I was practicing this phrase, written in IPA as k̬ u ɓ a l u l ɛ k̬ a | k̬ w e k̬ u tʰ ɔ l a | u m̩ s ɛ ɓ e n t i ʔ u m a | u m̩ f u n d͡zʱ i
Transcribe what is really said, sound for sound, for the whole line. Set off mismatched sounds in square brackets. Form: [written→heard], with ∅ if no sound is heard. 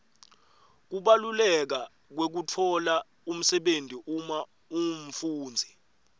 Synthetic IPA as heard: k̬ u ɓ a l u l ɛ k̬ a | k̬ w e k̬ u tʰ ɔ l a | u m̩ s ɛ ɓ e n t i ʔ u m a | u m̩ f [u→uː] n d͡zʱ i